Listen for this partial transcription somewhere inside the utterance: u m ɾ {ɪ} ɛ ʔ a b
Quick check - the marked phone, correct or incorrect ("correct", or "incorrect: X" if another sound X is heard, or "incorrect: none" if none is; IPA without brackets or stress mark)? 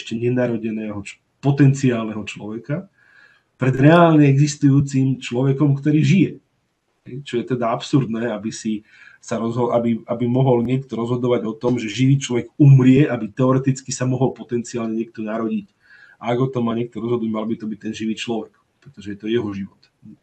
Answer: correct